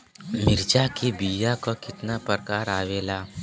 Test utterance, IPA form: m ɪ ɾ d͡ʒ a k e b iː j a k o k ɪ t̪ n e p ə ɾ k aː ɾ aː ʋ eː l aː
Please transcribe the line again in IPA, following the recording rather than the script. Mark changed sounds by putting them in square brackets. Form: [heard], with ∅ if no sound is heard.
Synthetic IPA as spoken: m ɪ ɾ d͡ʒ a k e b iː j a k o k ɪ t̪ n [a] p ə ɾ k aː ɾ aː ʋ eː l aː